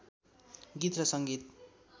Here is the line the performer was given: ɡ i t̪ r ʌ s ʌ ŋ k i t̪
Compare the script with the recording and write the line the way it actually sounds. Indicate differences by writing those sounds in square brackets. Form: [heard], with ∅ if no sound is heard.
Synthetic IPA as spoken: ɡ i t̪ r ʌ s ʌ ŋ [ɡ] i t̪